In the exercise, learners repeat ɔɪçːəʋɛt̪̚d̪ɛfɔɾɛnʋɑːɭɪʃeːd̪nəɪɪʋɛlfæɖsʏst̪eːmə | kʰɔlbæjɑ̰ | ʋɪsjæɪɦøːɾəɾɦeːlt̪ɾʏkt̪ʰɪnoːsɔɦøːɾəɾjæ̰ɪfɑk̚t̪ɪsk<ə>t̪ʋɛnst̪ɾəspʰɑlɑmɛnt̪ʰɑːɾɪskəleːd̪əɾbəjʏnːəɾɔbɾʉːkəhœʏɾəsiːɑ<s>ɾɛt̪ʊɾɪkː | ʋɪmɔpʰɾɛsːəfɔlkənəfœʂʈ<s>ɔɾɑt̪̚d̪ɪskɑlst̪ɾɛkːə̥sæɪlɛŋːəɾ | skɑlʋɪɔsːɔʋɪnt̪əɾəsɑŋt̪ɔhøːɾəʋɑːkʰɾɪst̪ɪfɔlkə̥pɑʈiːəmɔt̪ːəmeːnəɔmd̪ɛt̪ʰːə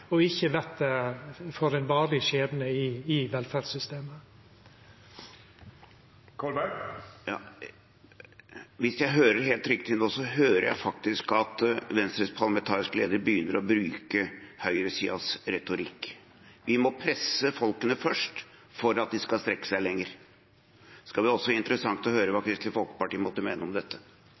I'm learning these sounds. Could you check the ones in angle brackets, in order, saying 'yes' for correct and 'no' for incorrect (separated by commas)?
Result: no, yes, no